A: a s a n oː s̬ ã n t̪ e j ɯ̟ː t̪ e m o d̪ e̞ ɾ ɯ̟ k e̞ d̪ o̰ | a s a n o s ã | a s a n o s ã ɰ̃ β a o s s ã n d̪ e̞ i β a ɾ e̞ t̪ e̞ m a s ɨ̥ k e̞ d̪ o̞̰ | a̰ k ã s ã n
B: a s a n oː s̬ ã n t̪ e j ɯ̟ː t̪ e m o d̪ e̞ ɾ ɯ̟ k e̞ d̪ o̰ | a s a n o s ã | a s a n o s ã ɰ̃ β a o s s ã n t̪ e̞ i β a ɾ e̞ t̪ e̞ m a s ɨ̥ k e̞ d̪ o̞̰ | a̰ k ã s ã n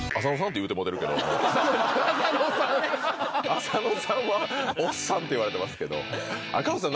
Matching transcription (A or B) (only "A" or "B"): B